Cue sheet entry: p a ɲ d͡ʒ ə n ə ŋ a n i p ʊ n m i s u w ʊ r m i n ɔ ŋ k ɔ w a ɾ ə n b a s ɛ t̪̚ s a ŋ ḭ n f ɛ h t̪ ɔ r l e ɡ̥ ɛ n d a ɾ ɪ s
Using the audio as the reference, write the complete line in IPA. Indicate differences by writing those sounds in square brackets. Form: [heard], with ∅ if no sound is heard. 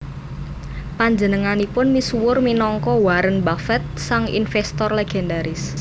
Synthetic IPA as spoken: p a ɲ d͡ʒ ə n ə ŋ a n i p ʊ n m i s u w ʊ r m i n ɔ ŋ k ɔ w a ɾ ə n b a [f] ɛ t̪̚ s a ŋ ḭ n f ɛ [s] t̪ ɔ r l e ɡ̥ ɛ n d a ɾ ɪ s